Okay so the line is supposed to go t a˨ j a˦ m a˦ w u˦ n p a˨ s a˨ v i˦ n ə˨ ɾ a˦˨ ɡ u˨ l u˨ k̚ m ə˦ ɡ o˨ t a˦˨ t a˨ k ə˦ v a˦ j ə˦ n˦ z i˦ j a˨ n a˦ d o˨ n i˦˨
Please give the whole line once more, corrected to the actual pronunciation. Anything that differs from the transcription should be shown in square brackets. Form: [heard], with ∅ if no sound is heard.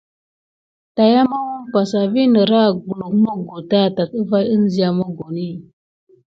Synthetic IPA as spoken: t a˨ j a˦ m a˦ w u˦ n p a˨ s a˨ v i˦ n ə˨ ɾ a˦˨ ɡ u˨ l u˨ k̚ m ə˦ ɡ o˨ t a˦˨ t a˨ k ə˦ v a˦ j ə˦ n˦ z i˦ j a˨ [m] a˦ [ɡ] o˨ n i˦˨